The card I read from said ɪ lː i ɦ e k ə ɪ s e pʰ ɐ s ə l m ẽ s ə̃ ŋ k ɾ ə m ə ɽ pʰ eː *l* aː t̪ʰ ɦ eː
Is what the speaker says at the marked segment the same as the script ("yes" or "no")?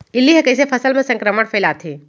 yes